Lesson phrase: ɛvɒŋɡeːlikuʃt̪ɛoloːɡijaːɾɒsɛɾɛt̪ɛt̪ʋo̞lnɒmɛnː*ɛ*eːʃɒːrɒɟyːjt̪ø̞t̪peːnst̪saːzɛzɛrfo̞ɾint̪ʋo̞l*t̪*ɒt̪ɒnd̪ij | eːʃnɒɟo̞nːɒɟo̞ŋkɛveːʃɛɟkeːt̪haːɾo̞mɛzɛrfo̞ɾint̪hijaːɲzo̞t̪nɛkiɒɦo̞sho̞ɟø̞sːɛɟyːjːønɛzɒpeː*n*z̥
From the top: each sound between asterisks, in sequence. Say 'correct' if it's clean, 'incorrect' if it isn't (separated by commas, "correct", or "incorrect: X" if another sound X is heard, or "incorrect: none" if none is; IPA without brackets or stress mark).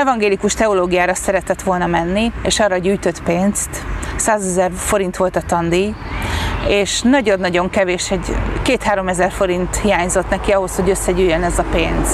incorrect: i, correct, correct